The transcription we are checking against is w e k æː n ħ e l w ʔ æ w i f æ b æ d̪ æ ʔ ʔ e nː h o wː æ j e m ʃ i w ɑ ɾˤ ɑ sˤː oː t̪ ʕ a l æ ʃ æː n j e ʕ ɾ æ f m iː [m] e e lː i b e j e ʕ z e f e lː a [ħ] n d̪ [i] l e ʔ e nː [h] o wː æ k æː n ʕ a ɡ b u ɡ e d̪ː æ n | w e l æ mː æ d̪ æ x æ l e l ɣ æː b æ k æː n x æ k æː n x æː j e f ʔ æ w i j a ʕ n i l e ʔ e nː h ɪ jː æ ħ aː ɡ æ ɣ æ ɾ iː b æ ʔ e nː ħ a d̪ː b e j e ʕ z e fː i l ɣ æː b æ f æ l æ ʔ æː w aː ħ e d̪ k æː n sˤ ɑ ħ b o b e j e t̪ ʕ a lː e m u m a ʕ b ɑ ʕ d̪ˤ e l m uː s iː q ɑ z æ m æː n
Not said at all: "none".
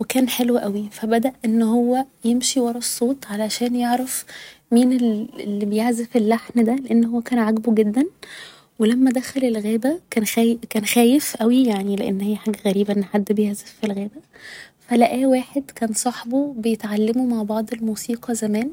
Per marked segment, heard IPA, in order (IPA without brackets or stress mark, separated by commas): n, ħ, æ, h